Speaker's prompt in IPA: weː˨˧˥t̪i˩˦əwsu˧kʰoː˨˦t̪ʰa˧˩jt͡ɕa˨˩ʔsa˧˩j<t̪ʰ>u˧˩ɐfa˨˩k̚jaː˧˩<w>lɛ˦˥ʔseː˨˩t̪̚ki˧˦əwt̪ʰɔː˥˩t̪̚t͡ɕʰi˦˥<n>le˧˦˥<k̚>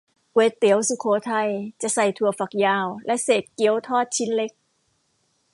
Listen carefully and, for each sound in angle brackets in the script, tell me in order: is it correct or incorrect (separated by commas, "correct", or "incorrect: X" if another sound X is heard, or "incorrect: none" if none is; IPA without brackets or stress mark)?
correct, correct, correct, correct